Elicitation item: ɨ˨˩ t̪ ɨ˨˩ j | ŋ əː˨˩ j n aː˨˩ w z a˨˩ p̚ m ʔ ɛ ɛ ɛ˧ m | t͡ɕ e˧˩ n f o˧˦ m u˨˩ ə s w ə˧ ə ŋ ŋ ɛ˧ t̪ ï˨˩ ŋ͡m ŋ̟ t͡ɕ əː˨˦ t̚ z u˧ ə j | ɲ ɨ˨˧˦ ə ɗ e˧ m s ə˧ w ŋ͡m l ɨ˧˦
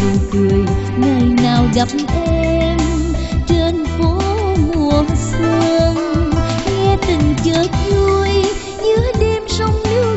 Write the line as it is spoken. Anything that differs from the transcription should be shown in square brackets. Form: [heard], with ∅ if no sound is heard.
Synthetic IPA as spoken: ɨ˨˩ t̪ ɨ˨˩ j | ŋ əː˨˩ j n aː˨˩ w z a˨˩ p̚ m ʔ ɛ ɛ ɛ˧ m | t͡ɕ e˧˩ n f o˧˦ m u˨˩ ə s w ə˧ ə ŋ ŋ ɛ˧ t̪ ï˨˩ [∅] ŋ̟ t͡ɕ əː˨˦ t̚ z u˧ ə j | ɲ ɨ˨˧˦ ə ɗ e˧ m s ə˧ w ŋ͡m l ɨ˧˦

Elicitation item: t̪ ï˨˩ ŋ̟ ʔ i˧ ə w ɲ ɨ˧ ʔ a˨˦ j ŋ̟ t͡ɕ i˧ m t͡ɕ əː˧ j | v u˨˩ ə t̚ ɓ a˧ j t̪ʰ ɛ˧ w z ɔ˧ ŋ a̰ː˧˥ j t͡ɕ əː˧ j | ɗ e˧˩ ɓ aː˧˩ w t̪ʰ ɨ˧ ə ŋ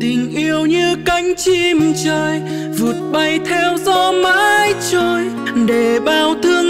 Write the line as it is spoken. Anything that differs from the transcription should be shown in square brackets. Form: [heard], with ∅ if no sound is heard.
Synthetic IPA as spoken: t̪ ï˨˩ ŋ̟ ʔ i˧ ə w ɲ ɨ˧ [k] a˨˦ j ŋ̟ t͡ɕ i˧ m t͡ɕ əː˧ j | v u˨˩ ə t̚ ɓ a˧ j t̪ʰ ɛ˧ w z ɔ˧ [m] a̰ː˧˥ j t͡ɕ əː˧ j | ɗ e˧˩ ɓ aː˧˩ w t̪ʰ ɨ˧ ə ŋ

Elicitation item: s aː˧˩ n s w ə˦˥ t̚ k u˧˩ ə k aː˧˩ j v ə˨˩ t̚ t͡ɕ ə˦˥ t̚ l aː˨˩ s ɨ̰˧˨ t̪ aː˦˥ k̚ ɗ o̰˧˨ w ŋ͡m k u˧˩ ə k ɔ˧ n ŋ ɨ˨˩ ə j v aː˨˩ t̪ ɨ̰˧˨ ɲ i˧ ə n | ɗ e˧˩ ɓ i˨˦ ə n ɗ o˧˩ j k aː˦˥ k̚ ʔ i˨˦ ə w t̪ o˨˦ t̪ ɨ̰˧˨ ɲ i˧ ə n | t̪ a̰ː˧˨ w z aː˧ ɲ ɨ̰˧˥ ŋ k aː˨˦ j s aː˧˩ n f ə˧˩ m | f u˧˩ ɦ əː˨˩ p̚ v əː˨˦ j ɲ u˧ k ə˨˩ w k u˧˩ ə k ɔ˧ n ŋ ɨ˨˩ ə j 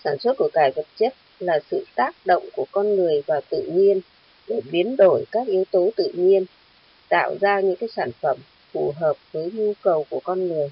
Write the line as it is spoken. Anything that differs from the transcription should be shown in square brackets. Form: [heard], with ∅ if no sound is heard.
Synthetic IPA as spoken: s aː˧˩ n s w ə˦˥ t̚ k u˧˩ ə k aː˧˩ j v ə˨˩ t̚ t͡ɕ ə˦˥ t̚ l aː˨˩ s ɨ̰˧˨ t̪ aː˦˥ k̚ ɗ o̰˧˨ w ŋ͡m k u˧˩ ə k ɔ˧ n ŋ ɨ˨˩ ə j v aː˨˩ t̪ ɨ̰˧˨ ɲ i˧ ə n | ɗ e˧˩ ɓ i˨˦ ə n ɗ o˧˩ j k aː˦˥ k̚ ʔ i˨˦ ə w t̪ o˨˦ t̪ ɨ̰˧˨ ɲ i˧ ə n | t̪ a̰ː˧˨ w z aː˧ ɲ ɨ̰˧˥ ŋ k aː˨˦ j s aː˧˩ n f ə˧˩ m | f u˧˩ ɦ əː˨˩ p̚ v əː˨˦ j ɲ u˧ k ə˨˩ w k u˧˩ ə k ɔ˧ n ŋ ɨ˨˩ ə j

